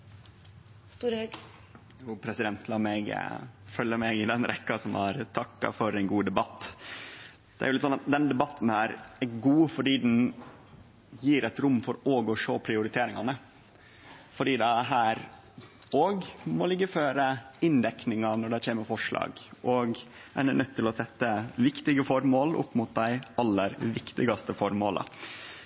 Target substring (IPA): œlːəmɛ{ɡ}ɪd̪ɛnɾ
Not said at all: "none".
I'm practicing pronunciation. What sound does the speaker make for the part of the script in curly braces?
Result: ɡ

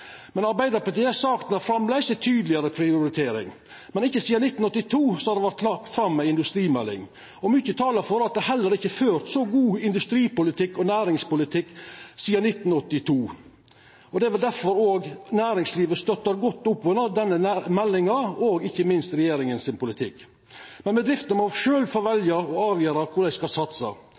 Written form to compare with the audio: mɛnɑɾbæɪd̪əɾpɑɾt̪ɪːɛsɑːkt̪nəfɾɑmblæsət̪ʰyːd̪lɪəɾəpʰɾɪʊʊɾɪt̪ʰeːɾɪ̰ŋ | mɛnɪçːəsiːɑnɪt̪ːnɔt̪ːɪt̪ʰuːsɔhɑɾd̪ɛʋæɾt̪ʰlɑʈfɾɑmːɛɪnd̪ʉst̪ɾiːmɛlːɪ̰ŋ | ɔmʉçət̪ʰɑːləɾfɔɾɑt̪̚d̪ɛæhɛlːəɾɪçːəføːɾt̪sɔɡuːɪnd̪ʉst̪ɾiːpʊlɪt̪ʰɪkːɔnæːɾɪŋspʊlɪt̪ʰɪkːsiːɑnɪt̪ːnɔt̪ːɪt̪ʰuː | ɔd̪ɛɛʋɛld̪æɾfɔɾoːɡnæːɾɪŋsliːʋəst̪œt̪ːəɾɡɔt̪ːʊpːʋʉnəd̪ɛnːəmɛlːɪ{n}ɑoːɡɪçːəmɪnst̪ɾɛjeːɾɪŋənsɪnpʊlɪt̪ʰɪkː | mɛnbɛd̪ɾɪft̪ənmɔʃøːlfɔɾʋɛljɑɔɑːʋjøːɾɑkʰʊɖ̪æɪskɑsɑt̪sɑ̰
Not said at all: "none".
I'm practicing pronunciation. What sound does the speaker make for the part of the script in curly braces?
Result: ŋ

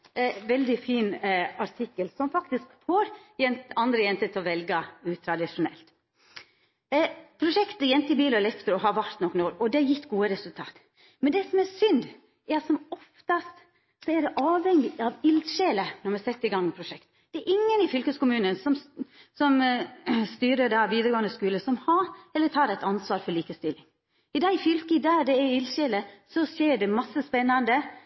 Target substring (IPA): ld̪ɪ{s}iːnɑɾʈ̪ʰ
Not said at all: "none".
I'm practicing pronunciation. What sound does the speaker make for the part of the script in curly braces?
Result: f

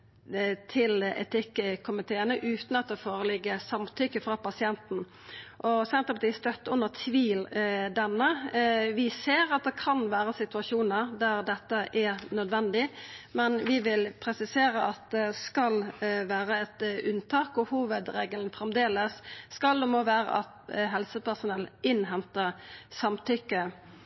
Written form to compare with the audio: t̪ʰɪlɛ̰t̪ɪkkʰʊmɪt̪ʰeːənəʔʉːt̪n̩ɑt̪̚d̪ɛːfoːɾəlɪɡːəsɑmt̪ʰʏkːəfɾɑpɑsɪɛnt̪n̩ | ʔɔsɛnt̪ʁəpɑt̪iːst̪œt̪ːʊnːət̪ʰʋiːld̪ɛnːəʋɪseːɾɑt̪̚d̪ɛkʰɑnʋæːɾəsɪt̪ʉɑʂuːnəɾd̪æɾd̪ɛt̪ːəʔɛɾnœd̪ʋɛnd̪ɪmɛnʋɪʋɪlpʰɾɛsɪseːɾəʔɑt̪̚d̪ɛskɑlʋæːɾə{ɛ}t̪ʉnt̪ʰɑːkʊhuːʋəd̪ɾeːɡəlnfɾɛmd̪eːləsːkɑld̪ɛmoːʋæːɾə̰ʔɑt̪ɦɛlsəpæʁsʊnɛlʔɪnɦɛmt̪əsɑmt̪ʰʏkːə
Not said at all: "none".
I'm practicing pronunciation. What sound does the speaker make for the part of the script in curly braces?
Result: ɛ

